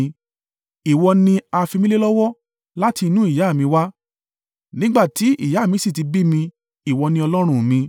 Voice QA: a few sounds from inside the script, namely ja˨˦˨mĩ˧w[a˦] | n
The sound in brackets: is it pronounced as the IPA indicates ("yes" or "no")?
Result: yes